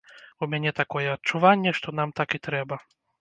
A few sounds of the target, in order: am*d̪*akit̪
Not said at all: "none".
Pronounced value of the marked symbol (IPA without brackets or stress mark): t̪